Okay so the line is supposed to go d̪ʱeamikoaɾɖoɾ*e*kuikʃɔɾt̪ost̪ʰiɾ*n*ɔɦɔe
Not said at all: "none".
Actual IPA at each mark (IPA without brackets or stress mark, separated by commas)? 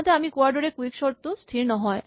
e, n